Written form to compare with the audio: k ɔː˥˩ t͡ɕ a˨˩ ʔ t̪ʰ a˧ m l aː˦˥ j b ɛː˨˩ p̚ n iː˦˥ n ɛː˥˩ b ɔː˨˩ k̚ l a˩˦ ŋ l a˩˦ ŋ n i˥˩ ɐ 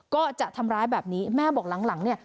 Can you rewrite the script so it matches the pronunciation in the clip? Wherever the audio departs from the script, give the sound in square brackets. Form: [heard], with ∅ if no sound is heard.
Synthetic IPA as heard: k ɔː˥˩ t͡ɕ a˨˩ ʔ t̪ʰ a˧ m [ɾ] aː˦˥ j b ɛː˨˩ p̚ n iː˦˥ [m] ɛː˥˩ b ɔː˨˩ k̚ l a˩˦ ŋ l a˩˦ ŋ n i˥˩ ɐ